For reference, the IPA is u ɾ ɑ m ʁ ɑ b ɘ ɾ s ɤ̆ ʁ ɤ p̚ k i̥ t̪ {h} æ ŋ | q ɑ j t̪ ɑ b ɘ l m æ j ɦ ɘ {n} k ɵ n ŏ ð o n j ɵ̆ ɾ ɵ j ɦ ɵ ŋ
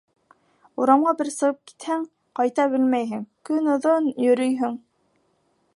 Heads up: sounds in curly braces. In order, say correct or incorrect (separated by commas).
correct, incorrect